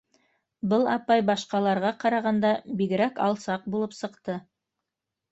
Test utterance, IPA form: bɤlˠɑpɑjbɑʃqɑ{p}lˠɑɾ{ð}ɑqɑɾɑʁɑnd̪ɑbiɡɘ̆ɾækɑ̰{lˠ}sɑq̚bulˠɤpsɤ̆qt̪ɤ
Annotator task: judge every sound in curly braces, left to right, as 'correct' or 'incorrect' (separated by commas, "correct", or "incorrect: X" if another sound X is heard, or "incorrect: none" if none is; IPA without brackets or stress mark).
incorrect: none, incorrect: ʁ, correct